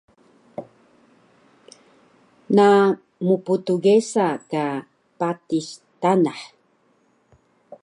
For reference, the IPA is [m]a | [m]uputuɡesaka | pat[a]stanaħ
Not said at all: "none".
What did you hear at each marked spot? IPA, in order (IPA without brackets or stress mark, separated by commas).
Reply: n, m, i